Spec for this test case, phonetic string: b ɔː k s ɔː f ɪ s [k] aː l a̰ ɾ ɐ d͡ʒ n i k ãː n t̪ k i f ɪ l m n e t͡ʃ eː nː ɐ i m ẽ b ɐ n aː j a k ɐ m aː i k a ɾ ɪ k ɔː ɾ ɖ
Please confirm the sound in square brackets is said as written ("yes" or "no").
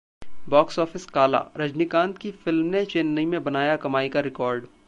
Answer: yes